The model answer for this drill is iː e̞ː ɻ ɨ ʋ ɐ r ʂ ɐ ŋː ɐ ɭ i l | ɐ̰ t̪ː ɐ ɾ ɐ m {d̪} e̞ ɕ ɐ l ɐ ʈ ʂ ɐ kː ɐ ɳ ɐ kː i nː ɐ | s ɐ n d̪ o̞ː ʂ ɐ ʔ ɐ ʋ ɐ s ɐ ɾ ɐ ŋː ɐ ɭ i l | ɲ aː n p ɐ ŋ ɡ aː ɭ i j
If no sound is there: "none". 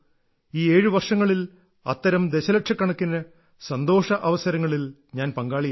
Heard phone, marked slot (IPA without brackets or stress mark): d̪